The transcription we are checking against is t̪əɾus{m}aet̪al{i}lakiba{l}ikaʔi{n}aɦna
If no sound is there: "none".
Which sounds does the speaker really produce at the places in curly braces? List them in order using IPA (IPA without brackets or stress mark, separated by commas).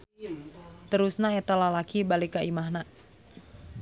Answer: n, a, l, m